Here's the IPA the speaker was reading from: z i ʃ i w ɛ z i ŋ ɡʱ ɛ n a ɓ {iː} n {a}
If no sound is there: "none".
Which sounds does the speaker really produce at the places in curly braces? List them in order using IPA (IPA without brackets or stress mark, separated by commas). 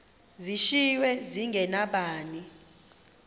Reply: aː, i